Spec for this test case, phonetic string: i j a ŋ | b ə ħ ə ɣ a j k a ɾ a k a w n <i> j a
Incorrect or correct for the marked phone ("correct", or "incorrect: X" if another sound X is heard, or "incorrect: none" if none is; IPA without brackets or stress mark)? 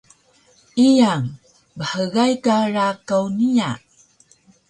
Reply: correct